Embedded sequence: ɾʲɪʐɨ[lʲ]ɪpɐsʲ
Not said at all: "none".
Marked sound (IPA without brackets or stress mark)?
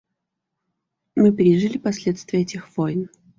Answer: lʲ